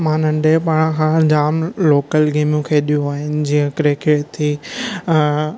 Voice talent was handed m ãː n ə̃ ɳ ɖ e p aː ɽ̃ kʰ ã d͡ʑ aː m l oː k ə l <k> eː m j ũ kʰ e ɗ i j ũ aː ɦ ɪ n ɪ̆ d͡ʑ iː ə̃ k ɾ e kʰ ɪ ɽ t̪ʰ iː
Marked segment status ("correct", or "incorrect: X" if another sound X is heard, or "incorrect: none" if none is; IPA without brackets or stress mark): incorrect: ɡ